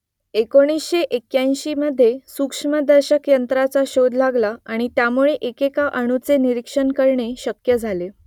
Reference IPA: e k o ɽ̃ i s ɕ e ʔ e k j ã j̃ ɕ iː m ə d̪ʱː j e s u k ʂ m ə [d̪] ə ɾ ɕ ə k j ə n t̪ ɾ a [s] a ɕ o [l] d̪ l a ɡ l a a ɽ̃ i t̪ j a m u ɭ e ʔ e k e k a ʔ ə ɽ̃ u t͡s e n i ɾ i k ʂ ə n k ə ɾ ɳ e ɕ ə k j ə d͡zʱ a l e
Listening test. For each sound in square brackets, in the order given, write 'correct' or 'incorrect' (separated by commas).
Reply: correct, incorrect, incorrect